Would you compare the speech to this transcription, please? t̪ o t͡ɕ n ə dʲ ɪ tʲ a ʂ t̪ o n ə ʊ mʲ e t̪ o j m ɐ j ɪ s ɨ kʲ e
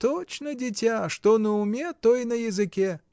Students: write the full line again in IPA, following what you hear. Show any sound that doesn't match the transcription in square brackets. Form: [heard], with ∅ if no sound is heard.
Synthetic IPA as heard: t̪ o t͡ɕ n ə dʲ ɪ tʲ a ʂ t̪ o n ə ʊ mʲ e t̪ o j [n] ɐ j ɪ [z] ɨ kʲ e